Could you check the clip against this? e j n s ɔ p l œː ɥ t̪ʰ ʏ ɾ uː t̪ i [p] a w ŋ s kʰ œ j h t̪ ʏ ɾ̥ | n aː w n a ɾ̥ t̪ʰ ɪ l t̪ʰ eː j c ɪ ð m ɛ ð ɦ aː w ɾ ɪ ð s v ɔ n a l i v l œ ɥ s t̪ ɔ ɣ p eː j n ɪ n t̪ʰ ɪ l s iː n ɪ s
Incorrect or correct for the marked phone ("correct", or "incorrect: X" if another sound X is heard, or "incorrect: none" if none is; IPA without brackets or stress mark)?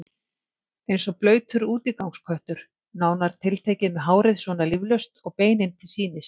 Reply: incorrect: k